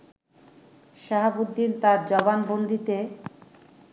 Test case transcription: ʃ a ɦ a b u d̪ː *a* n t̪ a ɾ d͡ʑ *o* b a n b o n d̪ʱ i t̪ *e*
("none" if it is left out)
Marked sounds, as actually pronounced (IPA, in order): i, ɔ, e

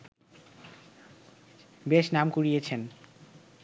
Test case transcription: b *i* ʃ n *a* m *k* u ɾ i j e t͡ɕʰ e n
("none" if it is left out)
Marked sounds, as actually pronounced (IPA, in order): e, a, k

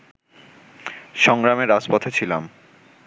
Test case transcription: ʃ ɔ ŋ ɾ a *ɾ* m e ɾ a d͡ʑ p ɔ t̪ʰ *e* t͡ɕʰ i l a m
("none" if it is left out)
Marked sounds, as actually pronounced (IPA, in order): none, e

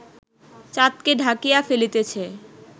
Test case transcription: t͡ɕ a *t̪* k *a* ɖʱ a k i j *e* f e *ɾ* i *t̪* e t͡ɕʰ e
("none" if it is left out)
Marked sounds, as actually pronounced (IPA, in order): t̪, e, a, l, t̪

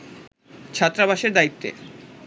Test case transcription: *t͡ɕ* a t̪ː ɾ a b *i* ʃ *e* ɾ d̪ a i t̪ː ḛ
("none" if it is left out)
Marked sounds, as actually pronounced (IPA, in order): t͡ɕʰ, a, e

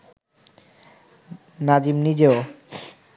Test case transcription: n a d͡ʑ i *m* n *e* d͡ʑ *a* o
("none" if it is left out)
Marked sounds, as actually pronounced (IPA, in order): m, i, e

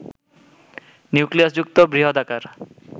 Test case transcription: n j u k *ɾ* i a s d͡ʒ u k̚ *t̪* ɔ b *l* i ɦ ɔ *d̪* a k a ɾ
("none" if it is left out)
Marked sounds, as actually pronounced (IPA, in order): l, t̪, ɾ, d̪

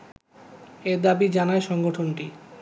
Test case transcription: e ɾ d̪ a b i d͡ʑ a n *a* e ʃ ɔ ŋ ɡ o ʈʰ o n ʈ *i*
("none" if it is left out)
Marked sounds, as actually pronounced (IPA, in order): a, i

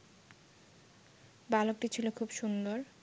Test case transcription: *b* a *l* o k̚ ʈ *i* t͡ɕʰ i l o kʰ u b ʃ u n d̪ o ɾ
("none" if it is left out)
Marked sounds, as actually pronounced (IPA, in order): b, l, i

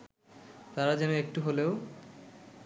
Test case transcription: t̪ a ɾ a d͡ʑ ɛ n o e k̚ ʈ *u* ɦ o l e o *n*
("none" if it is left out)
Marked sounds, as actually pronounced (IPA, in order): u, none

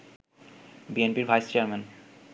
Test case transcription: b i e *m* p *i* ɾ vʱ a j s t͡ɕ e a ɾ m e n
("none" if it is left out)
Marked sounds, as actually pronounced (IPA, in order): n, i

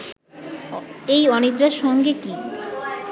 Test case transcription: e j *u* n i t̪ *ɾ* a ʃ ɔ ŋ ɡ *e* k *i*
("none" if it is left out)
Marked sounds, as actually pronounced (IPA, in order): ɔ, ɾ, e, i

